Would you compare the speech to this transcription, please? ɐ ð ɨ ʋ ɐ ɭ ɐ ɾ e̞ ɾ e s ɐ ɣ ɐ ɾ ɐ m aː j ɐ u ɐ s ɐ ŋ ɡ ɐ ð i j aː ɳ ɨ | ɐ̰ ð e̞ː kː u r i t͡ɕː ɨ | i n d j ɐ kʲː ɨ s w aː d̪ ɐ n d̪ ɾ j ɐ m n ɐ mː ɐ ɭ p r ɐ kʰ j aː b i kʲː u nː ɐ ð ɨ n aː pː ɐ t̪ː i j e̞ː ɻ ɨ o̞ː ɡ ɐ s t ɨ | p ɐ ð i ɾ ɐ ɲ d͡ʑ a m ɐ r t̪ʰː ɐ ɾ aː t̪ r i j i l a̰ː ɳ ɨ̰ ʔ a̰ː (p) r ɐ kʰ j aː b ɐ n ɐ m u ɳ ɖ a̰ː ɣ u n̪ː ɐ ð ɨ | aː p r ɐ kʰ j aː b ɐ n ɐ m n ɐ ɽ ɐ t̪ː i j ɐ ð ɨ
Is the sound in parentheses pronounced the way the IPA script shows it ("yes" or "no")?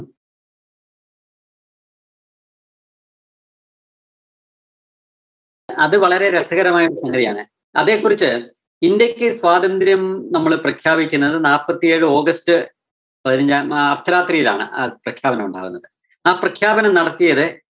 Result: yes